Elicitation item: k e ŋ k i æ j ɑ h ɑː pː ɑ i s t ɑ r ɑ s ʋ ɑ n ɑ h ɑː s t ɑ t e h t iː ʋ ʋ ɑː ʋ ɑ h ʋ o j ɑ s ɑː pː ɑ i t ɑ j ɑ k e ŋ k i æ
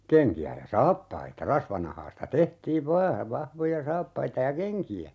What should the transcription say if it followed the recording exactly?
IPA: k e ŋ k i æ j ɑ s ɑː pː ɑ i t ɑ r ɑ s ʋ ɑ n ɑ h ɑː s t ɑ t e h t iː ʋ ʋ ɑː ʋ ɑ h ʋ o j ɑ s ɑː pː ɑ i t ɑ j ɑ k e ŋ k i æ